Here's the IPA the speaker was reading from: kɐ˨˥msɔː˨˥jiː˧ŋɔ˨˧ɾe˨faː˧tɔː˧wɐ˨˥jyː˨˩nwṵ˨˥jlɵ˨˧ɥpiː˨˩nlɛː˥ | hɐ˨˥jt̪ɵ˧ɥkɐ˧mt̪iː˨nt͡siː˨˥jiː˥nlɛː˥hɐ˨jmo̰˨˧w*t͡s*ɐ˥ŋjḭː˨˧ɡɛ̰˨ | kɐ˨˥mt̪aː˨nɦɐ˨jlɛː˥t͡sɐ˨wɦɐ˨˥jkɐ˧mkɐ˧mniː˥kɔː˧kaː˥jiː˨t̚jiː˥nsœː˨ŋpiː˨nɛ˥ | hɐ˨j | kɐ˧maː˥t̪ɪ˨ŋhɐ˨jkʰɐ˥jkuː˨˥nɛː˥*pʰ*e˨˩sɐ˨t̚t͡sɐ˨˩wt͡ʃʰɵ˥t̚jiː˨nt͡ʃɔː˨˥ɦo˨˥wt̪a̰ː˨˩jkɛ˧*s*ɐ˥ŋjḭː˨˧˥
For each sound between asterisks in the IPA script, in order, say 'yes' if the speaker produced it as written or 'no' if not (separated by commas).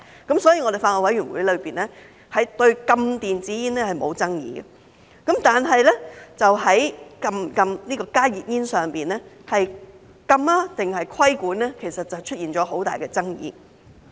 yes, no, no